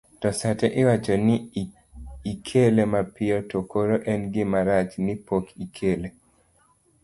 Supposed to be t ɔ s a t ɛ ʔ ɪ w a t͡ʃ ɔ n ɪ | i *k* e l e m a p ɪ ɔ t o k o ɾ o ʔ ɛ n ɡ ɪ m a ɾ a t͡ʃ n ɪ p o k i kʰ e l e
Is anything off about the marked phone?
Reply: yes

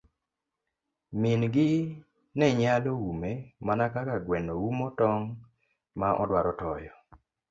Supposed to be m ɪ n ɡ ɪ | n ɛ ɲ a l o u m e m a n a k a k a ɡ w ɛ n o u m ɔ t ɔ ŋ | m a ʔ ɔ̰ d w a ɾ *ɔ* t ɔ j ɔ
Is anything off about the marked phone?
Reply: no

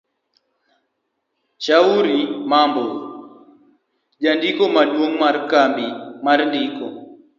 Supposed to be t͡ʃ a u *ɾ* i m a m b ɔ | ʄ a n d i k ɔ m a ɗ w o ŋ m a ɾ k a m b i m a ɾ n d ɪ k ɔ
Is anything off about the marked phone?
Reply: no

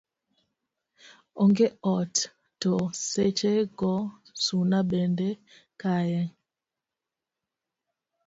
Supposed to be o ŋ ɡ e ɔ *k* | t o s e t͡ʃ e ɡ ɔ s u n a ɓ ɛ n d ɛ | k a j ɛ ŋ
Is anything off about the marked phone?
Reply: yes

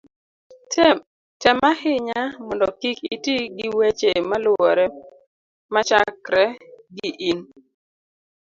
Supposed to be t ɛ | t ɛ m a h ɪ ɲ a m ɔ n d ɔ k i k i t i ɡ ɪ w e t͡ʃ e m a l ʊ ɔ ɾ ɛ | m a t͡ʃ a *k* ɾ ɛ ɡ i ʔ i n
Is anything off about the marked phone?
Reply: no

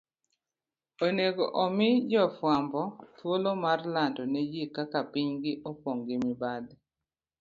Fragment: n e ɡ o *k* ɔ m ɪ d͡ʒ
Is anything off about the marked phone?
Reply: yes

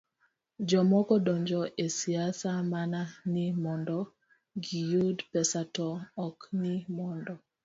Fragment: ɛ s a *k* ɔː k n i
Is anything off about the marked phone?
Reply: yes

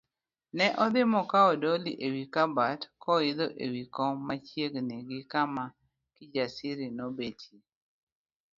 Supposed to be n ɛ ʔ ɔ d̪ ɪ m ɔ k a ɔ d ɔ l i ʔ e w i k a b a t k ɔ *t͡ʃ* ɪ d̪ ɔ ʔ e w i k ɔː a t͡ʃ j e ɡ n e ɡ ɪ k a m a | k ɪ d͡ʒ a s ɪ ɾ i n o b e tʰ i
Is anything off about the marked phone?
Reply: yes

